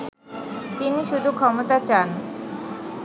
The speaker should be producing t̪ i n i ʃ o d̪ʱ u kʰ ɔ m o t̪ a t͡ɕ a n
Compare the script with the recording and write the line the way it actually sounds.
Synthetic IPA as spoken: t̪ i n i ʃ u d̪ʱ u kʰ ɔ m o t̪ a t͡ɕ a n